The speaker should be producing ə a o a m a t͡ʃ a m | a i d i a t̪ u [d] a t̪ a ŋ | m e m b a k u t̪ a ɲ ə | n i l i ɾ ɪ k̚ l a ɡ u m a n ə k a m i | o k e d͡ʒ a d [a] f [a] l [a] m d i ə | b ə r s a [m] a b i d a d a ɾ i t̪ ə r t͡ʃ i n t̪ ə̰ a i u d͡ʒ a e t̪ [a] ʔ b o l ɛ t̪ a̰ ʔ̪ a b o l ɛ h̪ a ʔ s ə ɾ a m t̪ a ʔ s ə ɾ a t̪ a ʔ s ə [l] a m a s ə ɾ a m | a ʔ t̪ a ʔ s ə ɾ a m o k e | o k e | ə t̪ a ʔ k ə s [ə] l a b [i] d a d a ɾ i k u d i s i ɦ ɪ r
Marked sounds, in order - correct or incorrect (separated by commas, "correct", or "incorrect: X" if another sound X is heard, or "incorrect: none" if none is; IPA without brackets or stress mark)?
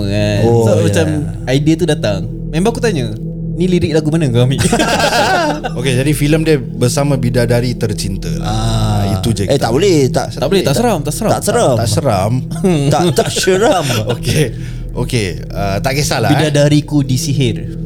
correct, incorrect: i, incorrect: i, incorrect: ə, correct, correct, incorrect: ɾ, incorrect: a, correct